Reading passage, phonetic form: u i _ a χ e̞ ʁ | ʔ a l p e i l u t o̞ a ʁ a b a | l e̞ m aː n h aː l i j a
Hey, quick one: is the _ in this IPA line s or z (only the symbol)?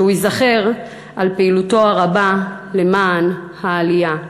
z